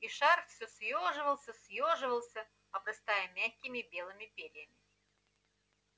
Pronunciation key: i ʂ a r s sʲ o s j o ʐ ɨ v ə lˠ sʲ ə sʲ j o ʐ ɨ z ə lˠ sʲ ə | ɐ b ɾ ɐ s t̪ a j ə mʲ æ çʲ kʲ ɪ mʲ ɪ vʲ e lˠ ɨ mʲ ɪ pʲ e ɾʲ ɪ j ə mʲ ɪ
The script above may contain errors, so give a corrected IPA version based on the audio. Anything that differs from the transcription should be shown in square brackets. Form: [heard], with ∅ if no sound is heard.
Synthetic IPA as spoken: i ʂ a r [f] sʲ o s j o ʐ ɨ v ə lˠ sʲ ə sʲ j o ʐ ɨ [v] ə lˠ sʲ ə | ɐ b ɾ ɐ s t̪ a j ə mʲ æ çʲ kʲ ɪ mʲ ɪ [bʲ] e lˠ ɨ mʲ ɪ pʲ e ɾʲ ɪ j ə mʲ ɪ

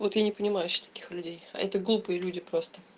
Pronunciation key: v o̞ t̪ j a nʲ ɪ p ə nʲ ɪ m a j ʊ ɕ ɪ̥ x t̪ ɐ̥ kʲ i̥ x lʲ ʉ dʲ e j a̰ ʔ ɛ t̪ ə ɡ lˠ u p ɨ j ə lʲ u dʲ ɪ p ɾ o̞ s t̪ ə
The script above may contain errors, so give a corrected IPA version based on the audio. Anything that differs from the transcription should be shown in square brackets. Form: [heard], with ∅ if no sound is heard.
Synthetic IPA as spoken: v o̞ t̪ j a nʲ ɪ p ə nʲ ɪ m a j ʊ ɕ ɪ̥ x t̪ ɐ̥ kʲ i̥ x lʲ ʉ dʲ e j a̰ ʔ ɛ t̪ ə ɡ lˠ u p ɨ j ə lʲ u dʲ ɪ p ɾ o̞ s t̪ ə

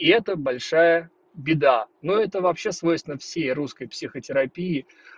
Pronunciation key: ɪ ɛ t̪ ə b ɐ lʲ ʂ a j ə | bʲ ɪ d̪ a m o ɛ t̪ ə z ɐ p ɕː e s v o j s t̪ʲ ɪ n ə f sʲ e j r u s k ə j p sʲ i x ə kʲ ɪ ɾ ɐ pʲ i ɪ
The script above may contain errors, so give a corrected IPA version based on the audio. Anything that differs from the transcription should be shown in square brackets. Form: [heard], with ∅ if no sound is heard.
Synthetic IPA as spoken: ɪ ɛ t̪ ə b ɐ lʲ ʂ a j ə | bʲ ɪ d̪ a [n] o ɛ t̪ ə [v] ɐ p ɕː e s v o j s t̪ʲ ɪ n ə f sʲ e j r u s k ə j p sʲ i x ə [tʲ] ɪ ɾ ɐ pʲ i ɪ

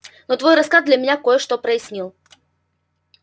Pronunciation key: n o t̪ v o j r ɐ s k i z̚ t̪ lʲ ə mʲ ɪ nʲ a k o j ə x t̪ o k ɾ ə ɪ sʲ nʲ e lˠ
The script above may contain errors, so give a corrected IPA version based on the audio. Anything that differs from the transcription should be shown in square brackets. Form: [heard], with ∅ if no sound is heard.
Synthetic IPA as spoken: n o t̪ v o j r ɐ s k [a] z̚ [d̪] lʲ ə mʲ ɪ nʲ a k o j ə [ʂ] t̪ o [p] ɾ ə ɪ sʲ nʲ [i] lˠ

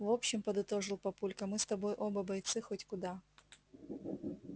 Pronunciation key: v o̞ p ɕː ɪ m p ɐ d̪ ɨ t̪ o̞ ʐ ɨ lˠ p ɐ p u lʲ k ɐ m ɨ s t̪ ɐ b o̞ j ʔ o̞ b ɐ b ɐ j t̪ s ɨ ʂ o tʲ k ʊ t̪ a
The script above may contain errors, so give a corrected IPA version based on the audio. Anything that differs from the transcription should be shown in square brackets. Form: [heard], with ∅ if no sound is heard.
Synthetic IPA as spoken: v o̞ p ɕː ɪ m p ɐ d̪ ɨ t̪ o̞ ʐ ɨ lˠ p ɐ p u lʲ k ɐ m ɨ s t̪ ɐ b o̞ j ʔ o̞ b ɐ b ɐ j t̪ s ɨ [x] o tʲ k ʊ [d̪] a

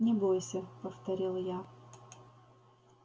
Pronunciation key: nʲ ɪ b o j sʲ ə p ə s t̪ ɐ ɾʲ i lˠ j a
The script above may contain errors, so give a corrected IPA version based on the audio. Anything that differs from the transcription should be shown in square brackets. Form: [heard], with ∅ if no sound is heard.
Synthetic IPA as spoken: nʲ ɪ b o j sʲ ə p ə [f] t̪ ɐ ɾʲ i lˠ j a

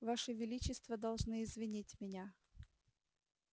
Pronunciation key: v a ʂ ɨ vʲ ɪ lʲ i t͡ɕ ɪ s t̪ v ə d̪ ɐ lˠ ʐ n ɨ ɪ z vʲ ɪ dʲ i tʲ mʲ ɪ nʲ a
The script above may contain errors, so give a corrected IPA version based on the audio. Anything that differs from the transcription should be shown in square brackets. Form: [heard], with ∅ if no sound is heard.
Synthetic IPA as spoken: v a ʂ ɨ vʲ ɪ lʲ i t͡ɕ ɪ s t̪ v ə d̪ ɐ lˠ ʐ n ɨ ɪ z vʲ ɪ [nʲ] i tʲ mʲ ɪ nʲ a

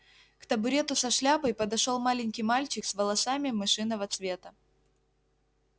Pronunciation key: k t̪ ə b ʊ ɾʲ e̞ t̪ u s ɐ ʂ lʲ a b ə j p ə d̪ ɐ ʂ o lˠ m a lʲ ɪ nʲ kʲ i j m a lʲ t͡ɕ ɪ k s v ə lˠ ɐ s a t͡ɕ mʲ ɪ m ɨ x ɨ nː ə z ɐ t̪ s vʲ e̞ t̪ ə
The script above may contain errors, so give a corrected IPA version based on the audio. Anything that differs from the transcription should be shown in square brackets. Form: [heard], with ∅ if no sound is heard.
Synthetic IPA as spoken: k t̪ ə b ʊ ɾʲ e̞ t̪ [ʊ] s ɐ ʂ lʲ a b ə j p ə d̪ ɐ ʂ o lˠ m a lʲ ɪ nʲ kʲ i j m a lʲ t͡ɕ ɪ k s v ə lˠ ɐ s a [∅] mʲ ɪ m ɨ [ʂ] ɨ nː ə [v] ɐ t̪ s vʲ e̞ t̪ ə

